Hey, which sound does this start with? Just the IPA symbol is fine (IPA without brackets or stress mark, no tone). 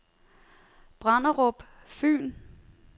b̥